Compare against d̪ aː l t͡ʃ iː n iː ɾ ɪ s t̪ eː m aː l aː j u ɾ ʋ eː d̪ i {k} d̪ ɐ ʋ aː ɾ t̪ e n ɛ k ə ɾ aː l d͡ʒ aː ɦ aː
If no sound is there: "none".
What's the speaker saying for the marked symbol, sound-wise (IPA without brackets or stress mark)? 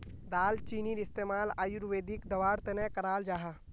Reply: k